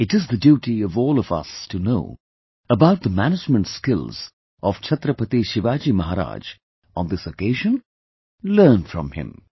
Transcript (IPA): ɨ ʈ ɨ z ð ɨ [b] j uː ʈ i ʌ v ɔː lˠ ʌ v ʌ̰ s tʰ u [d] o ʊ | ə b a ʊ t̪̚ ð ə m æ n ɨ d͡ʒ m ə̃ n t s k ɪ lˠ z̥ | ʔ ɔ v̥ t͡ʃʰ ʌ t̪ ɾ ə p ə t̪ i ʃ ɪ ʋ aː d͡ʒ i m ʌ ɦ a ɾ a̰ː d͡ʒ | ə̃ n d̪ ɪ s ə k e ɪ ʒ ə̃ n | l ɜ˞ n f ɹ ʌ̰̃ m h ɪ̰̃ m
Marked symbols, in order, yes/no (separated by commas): no, no